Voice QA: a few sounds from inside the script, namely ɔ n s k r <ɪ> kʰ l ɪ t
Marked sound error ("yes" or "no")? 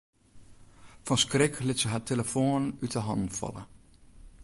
no